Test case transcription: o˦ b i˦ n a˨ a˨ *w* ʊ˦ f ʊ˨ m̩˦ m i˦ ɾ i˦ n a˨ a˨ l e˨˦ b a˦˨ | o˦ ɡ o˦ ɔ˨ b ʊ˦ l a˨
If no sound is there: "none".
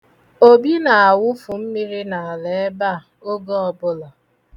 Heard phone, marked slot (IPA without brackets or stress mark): w